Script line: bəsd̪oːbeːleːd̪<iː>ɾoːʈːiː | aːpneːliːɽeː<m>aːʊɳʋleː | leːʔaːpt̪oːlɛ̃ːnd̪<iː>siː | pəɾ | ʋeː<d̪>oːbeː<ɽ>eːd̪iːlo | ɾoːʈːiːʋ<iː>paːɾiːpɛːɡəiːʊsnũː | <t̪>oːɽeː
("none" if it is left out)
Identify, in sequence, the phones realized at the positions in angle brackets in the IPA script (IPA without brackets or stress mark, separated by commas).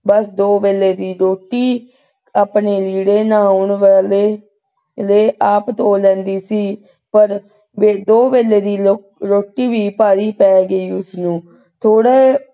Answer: iː, n, iː, d̪, l, iː, t̪ʰ